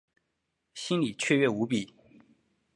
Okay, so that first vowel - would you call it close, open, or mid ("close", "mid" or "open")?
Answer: close